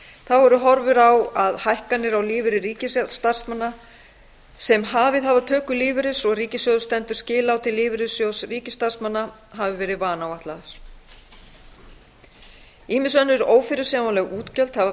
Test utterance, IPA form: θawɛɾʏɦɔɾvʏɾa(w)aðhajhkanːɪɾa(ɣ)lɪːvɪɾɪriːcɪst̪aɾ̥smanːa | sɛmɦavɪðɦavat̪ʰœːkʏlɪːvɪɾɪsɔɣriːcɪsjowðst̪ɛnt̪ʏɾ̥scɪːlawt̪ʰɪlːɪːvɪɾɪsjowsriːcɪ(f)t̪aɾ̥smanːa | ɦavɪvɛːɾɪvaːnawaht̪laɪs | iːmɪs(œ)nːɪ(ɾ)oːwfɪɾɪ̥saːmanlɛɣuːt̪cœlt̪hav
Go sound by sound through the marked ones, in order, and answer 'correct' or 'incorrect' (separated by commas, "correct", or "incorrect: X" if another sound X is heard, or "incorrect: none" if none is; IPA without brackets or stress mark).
correct, incorrect: w, incorrect: s, correct, correct